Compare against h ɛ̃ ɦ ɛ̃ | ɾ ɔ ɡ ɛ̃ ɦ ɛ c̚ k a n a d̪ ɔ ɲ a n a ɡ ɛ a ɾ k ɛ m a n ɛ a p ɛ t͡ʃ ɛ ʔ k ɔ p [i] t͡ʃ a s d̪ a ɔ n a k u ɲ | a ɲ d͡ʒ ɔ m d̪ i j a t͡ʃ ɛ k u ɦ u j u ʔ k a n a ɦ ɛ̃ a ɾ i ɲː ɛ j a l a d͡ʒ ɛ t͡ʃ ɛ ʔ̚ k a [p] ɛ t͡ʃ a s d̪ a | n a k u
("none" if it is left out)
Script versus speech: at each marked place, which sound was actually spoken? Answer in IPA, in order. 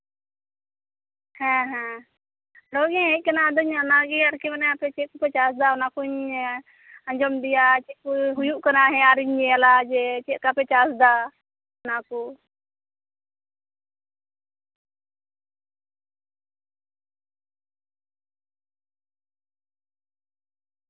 ɛ, p

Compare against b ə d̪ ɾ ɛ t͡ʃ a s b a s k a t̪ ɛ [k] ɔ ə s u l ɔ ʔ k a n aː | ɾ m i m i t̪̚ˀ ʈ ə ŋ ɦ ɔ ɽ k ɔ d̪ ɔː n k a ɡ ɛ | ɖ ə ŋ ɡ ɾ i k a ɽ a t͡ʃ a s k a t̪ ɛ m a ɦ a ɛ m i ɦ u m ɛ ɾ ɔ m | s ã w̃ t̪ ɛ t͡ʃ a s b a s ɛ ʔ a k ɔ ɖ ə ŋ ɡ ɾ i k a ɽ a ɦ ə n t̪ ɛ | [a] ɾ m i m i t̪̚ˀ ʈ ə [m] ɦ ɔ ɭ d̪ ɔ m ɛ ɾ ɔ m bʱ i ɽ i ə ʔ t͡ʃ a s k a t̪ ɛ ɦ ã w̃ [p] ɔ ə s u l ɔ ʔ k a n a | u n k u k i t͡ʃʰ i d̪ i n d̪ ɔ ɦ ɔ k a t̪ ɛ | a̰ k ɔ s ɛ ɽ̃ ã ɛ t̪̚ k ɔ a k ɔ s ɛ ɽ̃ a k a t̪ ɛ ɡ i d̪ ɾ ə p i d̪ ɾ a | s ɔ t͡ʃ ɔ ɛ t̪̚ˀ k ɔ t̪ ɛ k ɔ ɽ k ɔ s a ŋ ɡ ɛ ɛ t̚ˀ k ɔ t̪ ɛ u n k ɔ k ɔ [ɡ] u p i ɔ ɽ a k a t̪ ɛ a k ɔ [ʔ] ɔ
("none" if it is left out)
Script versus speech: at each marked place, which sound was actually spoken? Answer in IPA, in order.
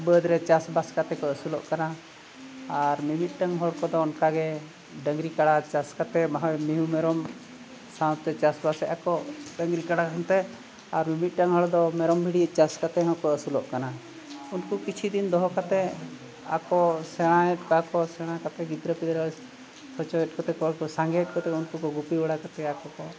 k, a, ŋ, k, ɡ, k

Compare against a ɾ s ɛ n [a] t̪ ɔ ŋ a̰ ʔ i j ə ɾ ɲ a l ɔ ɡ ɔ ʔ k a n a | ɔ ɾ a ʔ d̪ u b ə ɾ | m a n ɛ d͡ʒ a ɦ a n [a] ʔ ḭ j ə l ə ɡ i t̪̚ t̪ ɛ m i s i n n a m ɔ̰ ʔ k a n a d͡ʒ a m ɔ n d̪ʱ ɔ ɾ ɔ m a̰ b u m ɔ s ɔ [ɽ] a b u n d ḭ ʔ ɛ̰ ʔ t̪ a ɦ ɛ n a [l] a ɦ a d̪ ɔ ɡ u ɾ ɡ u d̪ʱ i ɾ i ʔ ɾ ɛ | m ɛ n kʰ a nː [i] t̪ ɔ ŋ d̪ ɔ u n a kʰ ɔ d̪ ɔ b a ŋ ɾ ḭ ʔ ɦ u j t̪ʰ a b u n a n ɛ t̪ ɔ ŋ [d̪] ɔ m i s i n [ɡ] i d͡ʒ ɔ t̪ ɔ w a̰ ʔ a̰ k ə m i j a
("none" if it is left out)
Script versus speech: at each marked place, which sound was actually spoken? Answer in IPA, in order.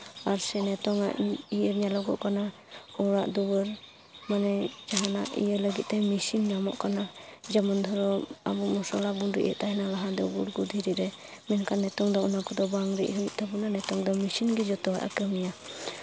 ɛ, a, l, l, ɛ, d̪, ɡ

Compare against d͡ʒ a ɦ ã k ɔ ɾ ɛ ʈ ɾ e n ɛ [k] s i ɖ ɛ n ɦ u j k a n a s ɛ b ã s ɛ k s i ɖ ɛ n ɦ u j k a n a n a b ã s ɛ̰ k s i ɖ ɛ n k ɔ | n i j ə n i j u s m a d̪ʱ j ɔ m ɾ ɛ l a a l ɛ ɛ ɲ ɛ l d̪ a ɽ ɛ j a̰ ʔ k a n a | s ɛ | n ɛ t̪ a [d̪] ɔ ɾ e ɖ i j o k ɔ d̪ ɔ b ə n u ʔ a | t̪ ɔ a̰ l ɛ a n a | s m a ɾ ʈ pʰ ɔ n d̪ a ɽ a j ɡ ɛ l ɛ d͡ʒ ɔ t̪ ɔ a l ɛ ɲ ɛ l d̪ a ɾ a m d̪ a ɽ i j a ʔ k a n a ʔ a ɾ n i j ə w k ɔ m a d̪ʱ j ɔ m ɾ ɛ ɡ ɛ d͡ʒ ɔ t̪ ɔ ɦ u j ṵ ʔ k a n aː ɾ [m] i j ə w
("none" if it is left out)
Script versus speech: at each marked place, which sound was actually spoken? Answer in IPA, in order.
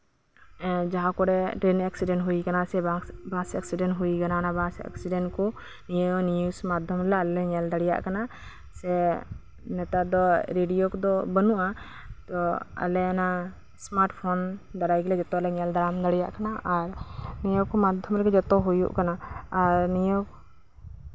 k, d̪, n

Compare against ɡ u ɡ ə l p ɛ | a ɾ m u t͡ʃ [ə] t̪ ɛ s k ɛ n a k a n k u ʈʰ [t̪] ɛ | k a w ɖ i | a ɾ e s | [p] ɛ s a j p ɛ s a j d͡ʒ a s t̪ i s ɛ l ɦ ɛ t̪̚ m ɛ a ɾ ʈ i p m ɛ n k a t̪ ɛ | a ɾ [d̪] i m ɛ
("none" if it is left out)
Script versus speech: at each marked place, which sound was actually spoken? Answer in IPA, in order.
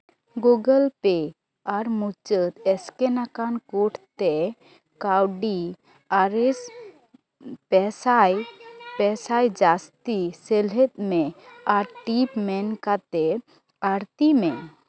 ə, t̪, p, t̪

